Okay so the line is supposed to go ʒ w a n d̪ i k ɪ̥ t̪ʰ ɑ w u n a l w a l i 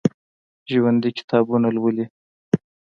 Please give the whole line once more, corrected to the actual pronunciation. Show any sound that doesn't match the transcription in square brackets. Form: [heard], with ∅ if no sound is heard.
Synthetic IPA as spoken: ʒ w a n d̪ i k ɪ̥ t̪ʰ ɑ [b] u n a l w [ə] l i